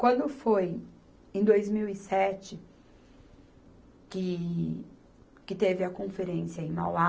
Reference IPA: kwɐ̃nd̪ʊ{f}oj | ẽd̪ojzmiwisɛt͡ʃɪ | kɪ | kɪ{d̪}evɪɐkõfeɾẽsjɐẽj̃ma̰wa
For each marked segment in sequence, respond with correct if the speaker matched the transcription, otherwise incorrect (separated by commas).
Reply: correct, incorrect